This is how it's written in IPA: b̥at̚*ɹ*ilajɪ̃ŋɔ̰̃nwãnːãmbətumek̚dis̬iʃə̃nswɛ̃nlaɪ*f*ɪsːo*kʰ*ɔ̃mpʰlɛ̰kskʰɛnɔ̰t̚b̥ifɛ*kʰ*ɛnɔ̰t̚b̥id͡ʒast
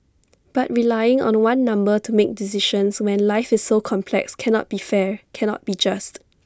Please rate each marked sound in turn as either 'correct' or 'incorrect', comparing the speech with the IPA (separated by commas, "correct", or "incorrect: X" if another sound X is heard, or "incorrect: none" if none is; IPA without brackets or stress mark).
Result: correct, correct, correct, correct